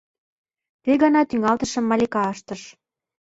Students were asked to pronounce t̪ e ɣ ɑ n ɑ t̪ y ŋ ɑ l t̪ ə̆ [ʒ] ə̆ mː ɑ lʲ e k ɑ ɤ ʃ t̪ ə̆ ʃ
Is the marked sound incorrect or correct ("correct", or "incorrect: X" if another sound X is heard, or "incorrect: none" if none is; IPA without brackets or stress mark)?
incorrect: ʃ